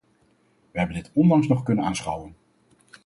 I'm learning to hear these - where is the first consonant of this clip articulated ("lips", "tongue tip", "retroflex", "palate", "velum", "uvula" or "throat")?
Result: lips